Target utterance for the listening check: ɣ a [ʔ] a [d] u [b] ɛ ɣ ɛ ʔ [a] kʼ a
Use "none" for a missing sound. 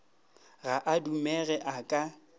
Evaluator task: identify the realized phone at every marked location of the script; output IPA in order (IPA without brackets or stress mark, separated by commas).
ʔ, d, m, a